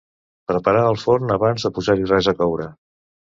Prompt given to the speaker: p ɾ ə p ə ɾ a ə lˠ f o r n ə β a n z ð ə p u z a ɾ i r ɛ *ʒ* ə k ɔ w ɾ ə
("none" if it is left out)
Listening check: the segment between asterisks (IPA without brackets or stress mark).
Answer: z